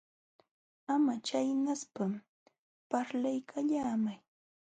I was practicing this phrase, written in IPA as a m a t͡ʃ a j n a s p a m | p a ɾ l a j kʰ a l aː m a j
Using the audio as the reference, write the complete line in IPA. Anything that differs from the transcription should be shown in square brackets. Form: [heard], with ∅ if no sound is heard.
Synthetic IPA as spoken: a m a t͡ʃ a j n a s p a m | p a ɾ l a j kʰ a [ʎ] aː m a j